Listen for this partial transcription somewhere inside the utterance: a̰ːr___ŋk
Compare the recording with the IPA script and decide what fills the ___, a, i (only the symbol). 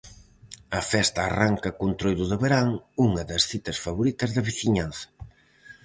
a